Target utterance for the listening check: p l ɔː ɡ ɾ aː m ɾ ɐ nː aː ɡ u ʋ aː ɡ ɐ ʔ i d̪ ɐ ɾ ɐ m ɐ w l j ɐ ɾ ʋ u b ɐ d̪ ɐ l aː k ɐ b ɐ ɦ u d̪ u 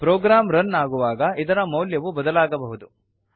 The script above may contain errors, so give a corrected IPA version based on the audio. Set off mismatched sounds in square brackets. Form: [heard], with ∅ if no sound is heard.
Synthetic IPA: p [ɾ] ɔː ɡ ɾ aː m ɾ ɐ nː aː ɡ u ʋ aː ɡ ɐ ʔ i d̪ ɐ ɾ ɐ m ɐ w l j ɐ [∅] ʋ u b ɐ d̪ ɐ l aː [ɡ] ɐ b ɐ ɦ u d̪ u